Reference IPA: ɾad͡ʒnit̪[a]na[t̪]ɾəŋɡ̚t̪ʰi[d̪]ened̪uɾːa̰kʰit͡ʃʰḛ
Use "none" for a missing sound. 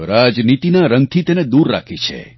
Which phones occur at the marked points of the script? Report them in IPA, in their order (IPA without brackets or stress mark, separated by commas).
i, none, t̪